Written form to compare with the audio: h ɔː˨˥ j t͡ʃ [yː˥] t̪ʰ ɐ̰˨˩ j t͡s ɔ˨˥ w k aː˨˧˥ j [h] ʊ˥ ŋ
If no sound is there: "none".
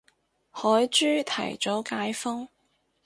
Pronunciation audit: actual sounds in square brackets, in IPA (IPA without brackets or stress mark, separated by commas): yː˥, f